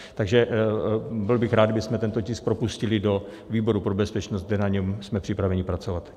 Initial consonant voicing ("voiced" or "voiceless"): voiceless